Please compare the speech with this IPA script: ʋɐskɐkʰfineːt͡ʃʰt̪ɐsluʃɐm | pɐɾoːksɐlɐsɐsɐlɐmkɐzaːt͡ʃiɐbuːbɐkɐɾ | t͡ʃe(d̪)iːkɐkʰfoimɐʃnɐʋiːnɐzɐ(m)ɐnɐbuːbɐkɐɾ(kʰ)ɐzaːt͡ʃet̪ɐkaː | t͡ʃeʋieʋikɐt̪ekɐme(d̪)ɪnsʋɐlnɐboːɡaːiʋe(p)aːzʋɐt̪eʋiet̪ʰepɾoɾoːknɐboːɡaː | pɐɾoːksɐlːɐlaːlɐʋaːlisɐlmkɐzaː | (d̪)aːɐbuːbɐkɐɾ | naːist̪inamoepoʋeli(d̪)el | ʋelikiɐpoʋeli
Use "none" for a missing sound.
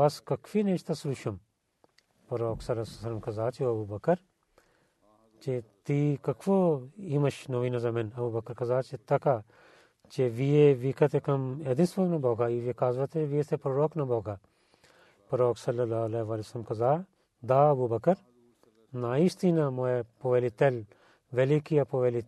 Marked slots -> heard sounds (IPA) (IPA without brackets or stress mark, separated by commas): t̪, m, k, d̪, k, d̪, t̪